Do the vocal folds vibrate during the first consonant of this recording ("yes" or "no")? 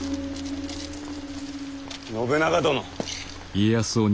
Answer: yes